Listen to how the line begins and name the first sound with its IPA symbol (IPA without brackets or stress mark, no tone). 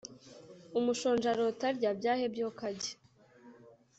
u